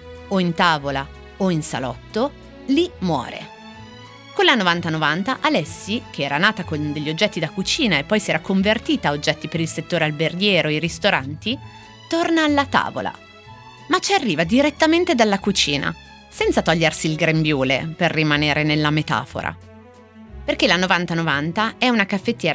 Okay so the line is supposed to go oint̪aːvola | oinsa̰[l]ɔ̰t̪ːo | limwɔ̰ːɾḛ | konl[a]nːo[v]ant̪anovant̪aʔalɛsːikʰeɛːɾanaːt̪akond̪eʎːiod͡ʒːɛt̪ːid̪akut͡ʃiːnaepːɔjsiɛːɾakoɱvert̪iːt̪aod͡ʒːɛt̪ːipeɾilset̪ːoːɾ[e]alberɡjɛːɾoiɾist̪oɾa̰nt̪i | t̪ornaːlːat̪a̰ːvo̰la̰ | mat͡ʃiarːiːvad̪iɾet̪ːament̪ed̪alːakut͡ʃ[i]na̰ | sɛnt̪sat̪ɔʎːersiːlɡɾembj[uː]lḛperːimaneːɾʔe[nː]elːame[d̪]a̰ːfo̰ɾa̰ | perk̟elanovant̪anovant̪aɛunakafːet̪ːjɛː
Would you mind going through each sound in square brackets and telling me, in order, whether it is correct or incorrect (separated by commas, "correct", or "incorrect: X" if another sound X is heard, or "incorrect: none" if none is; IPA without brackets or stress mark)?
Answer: correct, correct, correct, correct, incorrect: iː, correct, incorrect: n, incorrect: t̪